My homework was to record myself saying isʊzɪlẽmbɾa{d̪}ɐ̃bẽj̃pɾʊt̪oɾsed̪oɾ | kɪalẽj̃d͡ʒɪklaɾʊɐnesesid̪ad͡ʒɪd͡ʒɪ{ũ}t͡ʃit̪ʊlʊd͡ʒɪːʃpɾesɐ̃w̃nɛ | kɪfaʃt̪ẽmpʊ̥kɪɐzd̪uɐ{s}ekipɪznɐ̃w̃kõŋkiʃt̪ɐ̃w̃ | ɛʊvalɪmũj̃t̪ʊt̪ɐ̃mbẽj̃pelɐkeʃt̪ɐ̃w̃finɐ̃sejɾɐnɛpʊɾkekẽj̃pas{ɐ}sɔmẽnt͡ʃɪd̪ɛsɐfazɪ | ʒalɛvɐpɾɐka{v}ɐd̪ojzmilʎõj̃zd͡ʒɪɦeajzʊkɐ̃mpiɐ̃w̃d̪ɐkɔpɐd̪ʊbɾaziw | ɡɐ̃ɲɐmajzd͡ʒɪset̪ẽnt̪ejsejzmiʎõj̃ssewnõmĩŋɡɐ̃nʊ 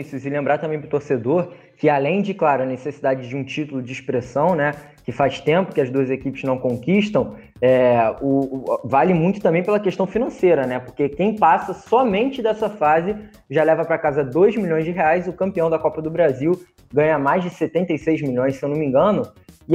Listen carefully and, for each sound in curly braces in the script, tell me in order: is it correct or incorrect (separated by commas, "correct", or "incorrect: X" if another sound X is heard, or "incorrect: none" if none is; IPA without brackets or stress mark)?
incorrect: t̪, correct, incorrect: z, correct, incorrect: z